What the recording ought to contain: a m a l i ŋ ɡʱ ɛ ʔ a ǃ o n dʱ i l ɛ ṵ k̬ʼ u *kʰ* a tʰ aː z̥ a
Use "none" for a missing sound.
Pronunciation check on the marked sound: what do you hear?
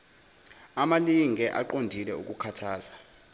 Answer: kʰ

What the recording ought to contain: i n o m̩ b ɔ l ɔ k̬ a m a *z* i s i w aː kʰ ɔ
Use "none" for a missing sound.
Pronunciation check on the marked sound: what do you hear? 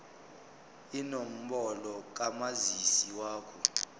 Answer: z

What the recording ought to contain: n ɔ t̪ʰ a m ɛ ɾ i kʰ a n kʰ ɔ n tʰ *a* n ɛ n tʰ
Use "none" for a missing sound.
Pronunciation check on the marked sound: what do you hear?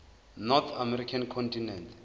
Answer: i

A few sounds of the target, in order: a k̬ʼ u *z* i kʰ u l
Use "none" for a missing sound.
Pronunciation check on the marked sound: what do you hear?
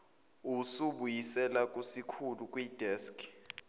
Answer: s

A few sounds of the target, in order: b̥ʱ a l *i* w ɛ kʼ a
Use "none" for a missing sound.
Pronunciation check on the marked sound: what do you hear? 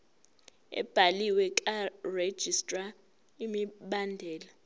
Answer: i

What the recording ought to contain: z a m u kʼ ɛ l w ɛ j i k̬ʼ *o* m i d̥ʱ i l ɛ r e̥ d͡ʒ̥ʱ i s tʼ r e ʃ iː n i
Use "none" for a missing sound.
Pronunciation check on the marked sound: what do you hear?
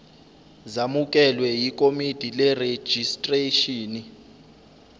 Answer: o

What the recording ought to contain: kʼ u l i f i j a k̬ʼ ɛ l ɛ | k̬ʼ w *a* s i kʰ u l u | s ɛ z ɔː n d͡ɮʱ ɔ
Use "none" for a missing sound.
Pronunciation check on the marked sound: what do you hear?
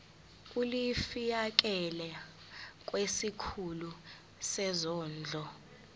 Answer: e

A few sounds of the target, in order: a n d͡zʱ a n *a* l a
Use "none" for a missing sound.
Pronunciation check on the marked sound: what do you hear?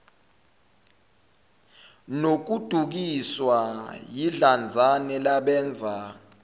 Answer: ɛ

